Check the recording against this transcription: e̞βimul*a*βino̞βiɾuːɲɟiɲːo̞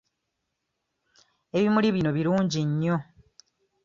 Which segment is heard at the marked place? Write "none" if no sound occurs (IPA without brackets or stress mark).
i